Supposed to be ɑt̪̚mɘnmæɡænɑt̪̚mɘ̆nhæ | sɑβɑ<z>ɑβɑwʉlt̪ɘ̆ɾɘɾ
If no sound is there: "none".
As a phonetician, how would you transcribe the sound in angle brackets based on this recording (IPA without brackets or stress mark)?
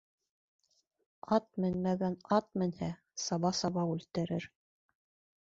s